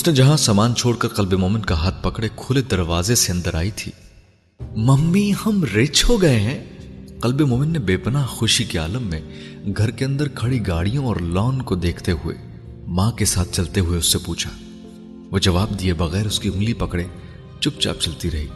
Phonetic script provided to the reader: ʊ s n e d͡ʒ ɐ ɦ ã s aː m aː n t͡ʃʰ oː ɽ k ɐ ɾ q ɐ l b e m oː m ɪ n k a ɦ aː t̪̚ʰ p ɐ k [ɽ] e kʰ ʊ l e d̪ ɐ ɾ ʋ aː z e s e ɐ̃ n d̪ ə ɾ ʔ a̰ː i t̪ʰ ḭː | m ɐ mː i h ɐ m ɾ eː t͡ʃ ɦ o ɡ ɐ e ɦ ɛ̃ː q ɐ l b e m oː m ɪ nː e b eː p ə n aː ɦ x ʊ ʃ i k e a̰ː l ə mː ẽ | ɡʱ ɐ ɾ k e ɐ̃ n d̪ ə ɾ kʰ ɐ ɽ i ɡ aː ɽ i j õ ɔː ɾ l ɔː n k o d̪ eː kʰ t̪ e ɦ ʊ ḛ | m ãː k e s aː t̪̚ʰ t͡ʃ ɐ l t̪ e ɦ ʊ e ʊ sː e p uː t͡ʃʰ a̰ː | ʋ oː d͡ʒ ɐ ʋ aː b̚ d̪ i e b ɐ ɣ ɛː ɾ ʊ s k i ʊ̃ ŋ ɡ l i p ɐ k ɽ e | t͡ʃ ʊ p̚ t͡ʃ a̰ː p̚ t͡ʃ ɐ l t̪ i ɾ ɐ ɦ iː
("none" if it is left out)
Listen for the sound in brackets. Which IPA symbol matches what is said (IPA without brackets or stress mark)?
ɽ